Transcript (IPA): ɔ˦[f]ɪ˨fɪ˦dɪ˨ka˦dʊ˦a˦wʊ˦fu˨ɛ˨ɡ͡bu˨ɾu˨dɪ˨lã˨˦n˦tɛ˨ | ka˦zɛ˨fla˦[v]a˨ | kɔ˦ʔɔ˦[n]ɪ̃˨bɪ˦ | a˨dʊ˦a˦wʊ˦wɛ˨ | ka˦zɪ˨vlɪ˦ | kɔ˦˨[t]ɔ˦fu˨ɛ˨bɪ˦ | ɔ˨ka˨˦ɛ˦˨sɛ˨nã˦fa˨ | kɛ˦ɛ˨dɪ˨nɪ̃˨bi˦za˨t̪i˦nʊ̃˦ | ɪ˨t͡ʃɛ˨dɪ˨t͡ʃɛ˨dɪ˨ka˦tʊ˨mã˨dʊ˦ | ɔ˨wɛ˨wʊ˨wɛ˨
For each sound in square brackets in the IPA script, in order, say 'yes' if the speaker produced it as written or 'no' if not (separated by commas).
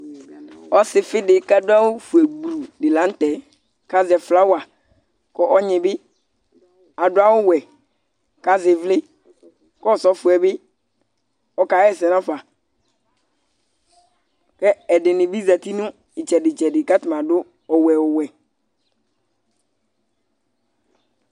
no, no, no, no